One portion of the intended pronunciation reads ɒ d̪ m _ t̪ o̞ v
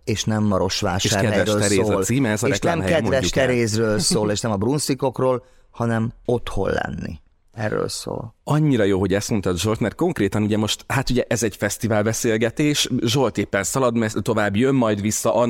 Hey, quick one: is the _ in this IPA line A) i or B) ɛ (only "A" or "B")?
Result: B